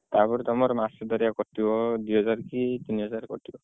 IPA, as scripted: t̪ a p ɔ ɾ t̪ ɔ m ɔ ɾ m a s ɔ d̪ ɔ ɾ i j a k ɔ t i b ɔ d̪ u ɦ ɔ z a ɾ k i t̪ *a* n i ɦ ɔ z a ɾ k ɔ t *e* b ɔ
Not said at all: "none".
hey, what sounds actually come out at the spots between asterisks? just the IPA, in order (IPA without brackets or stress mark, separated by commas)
i, i